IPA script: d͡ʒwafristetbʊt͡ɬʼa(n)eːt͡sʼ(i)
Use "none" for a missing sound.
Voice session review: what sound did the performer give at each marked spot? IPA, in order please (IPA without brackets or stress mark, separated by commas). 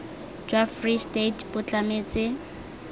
m, ɪ